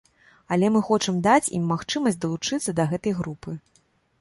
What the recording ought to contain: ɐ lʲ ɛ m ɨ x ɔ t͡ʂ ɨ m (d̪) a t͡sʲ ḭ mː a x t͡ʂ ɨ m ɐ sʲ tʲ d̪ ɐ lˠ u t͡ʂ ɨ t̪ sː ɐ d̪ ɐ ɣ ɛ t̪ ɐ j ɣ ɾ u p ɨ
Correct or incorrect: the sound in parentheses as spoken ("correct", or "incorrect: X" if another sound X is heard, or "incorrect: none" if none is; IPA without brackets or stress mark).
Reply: correct